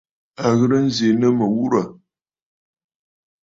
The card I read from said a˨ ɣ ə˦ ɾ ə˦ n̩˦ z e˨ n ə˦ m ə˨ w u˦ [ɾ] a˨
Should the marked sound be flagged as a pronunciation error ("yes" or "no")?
no